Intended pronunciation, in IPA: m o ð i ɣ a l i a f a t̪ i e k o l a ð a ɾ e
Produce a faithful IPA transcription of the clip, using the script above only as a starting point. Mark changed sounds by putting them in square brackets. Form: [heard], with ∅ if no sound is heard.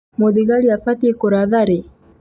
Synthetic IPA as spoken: m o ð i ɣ a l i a f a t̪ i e k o [ɾ] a ð a ɾ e